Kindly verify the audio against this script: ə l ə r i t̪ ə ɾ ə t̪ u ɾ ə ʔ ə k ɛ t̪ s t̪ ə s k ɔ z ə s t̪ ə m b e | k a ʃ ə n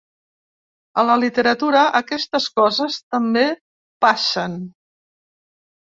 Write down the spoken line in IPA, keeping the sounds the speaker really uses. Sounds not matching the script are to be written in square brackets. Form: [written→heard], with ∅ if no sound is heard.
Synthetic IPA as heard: ə l ə [r→l] i t̪ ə ɾ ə t̪ u ɾ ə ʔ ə k ɛ [t̪→∅] s t̪ ə s k ɔ z ə s t̪ ə m b e | [k→p] a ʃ ə n